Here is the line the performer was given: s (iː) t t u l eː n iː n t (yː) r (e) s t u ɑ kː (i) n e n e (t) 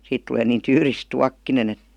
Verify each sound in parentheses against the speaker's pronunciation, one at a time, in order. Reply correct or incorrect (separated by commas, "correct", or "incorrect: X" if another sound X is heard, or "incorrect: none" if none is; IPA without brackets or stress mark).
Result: correct, correct, incorrect: i, correct, correct